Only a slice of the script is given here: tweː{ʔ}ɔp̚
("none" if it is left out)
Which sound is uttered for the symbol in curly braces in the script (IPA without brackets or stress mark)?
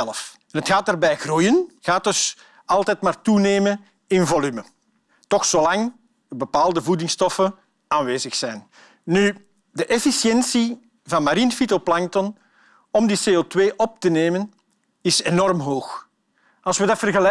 ʔ